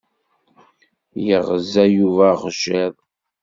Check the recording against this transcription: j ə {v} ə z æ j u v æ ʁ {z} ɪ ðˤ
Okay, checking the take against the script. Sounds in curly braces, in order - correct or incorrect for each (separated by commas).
incorrect, incorrect